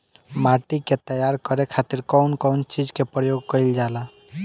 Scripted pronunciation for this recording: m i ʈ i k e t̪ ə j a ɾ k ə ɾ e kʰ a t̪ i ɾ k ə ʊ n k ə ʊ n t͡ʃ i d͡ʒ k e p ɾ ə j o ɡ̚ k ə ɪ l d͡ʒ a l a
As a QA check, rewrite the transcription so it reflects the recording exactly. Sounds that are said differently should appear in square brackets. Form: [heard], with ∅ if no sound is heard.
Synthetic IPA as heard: m [a] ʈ i k e t̪ ə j a ɾ k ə ɾ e kʰ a t̪ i ɾ k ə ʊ n k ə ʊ n t͡ʃ i d͡ʒ k e p ɾ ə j o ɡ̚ k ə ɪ l d͡ʒ a l a